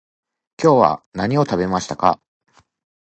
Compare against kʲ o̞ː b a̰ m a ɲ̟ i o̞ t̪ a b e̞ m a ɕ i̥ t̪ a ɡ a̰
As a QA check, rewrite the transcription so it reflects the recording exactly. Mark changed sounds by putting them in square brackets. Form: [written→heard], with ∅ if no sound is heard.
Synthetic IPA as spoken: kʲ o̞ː [b→β] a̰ [m→n] a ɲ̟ i o̞ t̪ a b e̞ m a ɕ i̥ t̪ a [ɡ→k] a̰

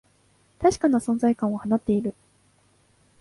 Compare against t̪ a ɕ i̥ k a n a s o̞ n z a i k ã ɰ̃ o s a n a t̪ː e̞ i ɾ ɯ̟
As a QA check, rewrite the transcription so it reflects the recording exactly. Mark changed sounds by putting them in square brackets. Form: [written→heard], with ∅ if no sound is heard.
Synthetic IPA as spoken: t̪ a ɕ i̥ k a n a s [o̞→õ̞] n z a i k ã ɰ̃ o [s→h] a n a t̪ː e̞ i ɾ ɯ̟

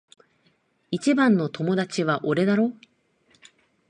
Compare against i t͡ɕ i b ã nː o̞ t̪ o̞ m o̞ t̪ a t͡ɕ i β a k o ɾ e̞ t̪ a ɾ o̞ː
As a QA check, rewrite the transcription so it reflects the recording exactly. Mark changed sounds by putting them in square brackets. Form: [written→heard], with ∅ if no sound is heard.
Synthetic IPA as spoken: i t͡ɕ i b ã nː o̞ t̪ o̞ m o̞ [t̪→d̪] a t͡ɕ i β a [k→ʔ] o ɾ e̞ [t̪→d̪] a ɾ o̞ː

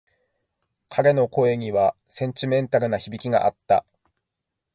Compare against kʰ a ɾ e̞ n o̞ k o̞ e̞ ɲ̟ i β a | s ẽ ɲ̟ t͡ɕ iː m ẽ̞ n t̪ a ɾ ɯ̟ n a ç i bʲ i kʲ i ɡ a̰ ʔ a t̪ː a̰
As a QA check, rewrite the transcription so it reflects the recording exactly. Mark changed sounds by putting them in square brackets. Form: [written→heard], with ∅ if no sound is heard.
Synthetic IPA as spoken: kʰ a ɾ e̞ n o̞ k o̞ e̞ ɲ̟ i β a | s ẽ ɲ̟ t͡ɕ [iː→i] m ẽ̞ n t̪ a ɾ ɯ̟ n a ç i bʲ i kʲ i ɡ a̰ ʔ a t̪ː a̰

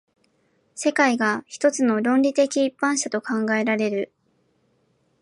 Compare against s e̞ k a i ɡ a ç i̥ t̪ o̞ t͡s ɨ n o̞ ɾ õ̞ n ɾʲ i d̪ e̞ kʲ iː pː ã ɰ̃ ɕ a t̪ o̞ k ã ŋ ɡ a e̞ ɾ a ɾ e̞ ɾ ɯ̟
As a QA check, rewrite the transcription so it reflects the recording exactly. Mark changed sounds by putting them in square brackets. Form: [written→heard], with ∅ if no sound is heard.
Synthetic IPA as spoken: s e̞ k a i ɡ a ç i̥ t̪ o̞ t͡s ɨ n o̞ ɾ õ̞ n ɾʲ i [d̪→t̪] e̞ kʲ iː pː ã ɰ̃ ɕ a t̪ o̞ k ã ŋ ɡ a e̞ ɾ a ɾ e̞ ɾ ɯ̟

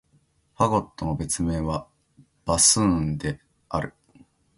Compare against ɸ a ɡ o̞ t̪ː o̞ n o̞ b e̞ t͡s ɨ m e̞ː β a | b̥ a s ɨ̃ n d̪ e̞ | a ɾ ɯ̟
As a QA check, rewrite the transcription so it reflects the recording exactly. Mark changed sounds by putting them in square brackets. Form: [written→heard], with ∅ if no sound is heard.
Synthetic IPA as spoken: ɸ a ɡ o̞ t̪ː o̞ n o̞ b e̞ t͡s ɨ m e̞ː β a | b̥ a s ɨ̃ n d̪ e̞ | a ɾ ɯ̟

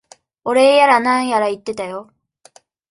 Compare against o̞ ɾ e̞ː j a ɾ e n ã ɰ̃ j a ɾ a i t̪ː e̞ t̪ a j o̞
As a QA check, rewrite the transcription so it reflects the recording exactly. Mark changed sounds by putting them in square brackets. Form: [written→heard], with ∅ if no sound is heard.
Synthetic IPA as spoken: o̞ ɾ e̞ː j a ɾ [e→a] n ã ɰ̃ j a ɾ a i t̪ː e̞ t̪ a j o̞

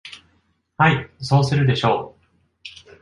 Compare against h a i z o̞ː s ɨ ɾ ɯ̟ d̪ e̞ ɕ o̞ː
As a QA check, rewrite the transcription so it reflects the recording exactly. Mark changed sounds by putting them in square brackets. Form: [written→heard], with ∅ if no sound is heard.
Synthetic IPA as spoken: h a i [z→s] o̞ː s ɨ ɾ ɯ̟ d̪ e̞ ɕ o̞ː

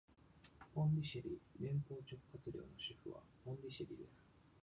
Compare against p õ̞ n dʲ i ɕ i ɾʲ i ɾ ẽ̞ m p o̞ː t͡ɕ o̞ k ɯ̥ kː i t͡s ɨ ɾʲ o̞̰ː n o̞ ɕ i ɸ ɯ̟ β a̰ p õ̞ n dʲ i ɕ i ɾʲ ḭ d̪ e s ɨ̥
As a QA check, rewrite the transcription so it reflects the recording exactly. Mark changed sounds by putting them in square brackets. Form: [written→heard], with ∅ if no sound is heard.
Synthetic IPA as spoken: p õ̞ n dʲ i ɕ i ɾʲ i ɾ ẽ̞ m p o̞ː t͡ɕ o̞ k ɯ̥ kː [i→a] t͡s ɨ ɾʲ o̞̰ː n o̞ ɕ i ɸ ɯ̟ β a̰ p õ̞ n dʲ i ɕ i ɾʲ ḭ d̪ e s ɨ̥

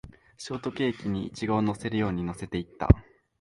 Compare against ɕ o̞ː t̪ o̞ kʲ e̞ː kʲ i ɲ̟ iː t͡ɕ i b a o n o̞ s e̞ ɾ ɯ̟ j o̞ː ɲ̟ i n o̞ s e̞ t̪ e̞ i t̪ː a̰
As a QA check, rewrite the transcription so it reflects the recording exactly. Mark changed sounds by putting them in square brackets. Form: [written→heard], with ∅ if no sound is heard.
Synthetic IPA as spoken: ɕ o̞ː t̪ o̞ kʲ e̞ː kʲ i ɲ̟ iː t͡ɕ i [b→ɡ] a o n o̞ s e̞ ɾ ɯ̟ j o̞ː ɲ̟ i n o̞ s e̞ t̪ e̞ i t̪ː a̰

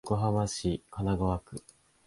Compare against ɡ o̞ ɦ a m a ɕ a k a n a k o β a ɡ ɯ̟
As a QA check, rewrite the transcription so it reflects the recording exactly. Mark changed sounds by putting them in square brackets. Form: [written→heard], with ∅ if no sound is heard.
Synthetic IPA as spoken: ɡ o̞ ɦ a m a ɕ [a→i] k a n a [k→ɡ] o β a [ɡ→k] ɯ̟

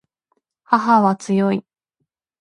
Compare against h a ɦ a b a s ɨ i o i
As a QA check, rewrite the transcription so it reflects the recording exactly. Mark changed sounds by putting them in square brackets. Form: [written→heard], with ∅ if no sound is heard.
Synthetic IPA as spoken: h a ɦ a [b→β] a [s→t͡s] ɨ [i→j] o i

